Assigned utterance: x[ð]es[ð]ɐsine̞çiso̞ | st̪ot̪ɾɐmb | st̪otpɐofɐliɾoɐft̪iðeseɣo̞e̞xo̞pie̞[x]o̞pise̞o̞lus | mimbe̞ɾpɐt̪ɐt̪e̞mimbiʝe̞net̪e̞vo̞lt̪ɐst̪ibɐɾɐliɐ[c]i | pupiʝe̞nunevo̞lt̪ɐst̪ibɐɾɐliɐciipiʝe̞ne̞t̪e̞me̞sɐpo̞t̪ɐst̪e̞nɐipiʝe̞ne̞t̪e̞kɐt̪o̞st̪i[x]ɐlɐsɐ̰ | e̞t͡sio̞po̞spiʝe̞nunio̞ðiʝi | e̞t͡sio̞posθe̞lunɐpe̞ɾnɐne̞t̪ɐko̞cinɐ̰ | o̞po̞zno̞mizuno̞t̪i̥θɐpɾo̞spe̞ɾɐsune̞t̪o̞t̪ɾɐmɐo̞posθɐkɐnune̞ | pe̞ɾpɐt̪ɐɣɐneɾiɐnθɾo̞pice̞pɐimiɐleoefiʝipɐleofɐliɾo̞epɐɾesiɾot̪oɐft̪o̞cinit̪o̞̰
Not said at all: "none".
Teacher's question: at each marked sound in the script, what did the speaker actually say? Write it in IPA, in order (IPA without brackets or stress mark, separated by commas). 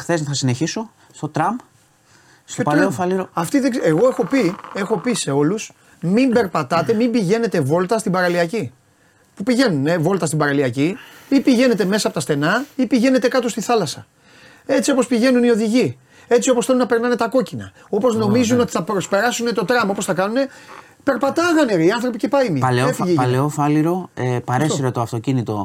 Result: θ, θ, x, c, θ